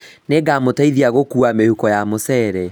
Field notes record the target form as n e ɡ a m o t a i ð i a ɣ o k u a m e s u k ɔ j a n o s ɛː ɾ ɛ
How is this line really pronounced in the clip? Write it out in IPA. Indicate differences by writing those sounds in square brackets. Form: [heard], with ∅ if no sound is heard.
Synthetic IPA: n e ɡ a m o t a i ð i a ɣ o k u a m e [h] u k ɔ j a [m] o s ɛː ɾ ɛ